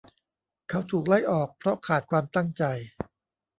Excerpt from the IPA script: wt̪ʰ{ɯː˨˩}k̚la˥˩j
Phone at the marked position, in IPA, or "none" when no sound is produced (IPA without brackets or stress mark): uː˨˩